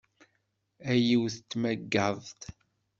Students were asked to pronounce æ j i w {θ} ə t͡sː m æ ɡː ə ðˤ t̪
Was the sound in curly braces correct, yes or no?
yes